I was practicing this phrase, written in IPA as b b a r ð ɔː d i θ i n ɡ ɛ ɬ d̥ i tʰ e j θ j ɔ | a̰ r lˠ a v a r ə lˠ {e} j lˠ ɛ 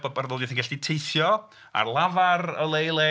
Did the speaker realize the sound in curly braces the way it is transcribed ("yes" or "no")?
yes